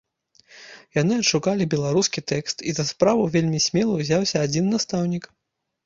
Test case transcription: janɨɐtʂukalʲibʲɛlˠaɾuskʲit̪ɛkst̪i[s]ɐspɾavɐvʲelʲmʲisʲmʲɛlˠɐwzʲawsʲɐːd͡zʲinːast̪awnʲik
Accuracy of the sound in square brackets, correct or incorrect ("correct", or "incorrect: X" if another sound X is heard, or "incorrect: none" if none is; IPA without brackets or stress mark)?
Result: incorrect: z